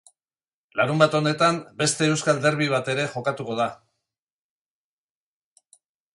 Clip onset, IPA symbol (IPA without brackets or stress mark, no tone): l